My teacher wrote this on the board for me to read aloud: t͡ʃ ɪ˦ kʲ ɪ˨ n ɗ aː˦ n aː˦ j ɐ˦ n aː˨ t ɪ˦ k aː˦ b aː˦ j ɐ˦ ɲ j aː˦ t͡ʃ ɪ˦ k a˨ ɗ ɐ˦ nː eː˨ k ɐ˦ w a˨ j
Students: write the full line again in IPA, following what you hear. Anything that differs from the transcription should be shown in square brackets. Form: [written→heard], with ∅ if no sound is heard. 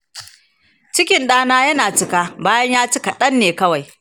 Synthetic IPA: t͡ʃ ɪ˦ kʲ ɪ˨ n ɗ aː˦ n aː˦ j ɐ˦ n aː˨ [t→t͡ʃ] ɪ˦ k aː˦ b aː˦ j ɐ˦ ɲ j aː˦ t͡ʃ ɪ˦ k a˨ ɗ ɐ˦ nː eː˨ k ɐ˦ w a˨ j